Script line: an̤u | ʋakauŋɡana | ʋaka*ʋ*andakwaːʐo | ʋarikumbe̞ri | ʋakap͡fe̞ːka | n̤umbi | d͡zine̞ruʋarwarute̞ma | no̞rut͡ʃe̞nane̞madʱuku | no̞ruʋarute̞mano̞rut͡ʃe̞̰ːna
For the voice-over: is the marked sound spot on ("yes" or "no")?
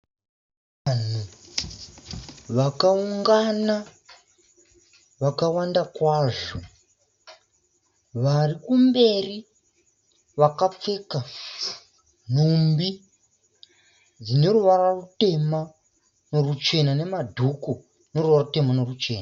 no